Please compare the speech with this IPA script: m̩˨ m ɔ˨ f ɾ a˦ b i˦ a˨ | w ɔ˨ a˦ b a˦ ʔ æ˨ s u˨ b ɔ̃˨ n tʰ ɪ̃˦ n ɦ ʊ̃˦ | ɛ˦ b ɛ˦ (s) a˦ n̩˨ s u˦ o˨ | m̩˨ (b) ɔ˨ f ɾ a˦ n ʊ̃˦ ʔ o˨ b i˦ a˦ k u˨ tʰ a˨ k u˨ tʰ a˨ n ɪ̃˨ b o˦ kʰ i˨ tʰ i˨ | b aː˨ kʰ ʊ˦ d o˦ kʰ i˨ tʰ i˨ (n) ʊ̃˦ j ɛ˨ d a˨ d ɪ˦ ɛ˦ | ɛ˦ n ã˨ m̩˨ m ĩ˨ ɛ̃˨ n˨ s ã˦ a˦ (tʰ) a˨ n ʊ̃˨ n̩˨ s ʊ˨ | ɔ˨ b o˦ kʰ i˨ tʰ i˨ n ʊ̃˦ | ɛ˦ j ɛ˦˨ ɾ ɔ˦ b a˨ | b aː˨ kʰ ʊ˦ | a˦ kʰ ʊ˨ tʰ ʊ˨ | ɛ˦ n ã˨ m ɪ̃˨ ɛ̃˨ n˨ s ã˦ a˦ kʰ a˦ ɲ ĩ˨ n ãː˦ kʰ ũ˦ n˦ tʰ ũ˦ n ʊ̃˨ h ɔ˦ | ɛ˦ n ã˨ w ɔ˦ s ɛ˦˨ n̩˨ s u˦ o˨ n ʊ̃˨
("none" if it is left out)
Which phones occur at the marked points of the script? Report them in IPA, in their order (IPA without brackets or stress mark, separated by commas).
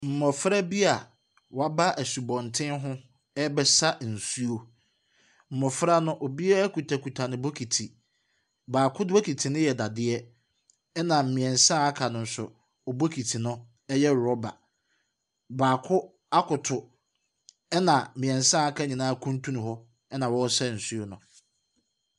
s, m, n, kʰ